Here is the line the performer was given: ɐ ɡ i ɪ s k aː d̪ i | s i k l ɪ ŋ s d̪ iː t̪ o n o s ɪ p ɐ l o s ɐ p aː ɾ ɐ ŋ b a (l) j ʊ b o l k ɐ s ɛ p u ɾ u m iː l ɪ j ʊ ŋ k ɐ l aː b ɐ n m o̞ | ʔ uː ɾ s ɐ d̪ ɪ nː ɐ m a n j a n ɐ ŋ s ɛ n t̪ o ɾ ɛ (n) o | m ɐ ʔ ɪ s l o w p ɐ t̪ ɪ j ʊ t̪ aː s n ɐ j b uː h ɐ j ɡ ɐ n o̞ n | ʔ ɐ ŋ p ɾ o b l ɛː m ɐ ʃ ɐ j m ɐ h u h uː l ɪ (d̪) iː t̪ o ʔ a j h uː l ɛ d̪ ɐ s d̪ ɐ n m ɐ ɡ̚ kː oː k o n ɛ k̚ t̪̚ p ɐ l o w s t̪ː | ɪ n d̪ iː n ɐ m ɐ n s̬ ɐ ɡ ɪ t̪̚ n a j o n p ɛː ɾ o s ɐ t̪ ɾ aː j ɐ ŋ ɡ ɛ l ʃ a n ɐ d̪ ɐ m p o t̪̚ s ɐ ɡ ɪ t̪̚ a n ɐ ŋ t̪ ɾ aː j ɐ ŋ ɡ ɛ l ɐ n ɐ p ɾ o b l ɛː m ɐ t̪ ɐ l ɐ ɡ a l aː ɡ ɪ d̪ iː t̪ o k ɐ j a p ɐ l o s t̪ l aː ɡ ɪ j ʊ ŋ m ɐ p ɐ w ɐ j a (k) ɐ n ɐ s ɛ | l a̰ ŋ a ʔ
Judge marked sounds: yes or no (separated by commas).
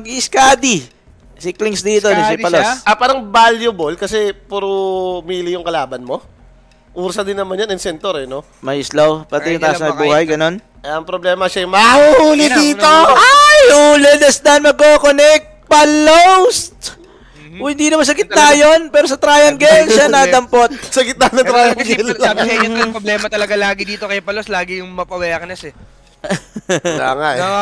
yes, yes, yes, yes